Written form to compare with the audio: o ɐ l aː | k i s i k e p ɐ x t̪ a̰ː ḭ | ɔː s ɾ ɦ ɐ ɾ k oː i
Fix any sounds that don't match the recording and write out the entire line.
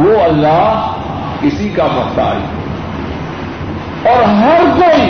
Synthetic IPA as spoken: o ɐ lː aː | k ɪ s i k a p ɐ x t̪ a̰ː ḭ | ɔː ɾ ɦ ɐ ɾ k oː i